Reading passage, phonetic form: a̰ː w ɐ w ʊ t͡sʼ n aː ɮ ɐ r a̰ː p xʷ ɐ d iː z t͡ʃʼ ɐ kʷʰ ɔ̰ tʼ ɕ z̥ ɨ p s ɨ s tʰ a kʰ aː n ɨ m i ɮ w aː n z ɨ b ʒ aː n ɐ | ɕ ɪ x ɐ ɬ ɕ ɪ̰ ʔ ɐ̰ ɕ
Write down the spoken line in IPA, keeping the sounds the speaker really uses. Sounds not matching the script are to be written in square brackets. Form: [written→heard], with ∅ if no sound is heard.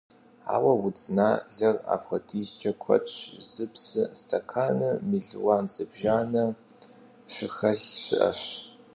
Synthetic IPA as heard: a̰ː w ɐ w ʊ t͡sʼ n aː ɮ ɐ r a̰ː p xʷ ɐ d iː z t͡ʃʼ ɐ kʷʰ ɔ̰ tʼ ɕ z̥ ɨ p s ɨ s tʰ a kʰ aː n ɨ m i ɮ w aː n z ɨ b ʒ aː n ɐ | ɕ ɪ x ɐ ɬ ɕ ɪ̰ ʔ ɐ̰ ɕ